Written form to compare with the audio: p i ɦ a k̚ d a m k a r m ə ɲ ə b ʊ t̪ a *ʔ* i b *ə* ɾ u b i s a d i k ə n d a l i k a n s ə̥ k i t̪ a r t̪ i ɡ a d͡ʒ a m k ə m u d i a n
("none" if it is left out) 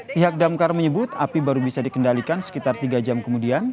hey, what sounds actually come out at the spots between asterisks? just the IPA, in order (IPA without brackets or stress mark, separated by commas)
p, a